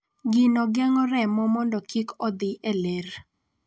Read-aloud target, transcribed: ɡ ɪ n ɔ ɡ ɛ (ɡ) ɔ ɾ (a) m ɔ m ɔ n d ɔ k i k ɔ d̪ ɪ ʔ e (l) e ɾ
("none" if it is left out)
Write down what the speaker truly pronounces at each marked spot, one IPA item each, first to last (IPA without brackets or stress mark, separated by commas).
ŋ, ɛ, l